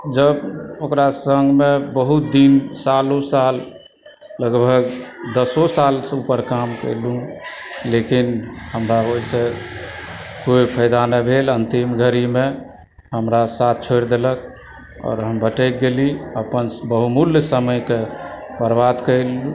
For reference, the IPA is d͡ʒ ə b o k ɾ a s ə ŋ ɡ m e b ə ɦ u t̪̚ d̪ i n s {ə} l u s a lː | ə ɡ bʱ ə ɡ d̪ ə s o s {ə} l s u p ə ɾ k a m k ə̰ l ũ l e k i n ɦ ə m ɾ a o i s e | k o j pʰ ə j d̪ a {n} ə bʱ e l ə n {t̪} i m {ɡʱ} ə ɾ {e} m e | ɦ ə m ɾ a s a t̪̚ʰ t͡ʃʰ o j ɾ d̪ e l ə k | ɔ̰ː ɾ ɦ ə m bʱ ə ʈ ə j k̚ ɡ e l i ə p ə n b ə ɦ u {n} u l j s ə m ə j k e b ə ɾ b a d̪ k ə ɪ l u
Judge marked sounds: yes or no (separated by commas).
no, no, yes, yes, yes, no, no